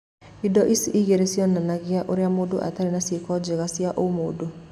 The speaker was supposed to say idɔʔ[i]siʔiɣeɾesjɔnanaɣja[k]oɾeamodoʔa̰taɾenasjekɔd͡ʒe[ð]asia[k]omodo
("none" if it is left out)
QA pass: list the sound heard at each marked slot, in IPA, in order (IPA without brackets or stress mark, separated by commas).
i, ʔ, ɣ, ʔ